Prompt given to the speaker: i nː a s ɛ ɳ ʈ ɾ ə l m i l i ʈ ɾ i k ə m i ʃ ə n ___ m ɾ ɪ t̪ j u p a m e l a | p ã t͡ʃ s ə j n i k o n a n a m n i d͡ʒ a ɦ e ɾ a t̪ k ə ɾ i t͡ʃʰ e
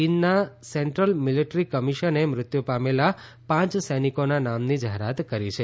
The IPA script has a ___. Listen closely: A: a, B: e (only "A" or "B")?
B